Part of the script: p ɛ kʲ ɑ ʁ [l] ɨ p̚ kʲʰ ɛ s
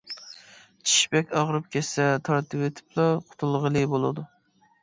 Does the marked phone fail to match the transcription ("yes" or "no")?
yes